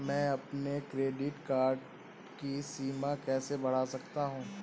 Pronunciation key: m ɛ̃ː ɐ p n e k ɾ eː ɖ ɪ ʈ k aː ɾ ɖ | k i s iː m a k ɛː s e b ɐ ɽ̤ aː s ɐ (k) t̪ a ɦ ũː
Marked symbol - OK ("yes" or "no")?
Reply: yes